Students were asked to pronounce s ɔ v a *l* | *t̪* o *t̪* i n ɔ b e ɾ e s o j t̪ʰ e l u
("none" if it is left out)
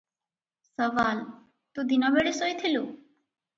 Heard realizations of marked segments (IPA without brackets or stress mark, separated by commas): l, t̪, d̪